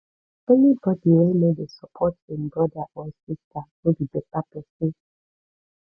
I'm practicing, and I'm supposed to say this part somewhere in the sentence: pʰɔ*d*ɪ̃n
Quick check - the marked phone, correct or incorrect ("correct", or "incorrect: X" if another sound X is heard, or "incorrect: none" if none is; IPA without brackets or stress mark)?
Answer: incorrect: t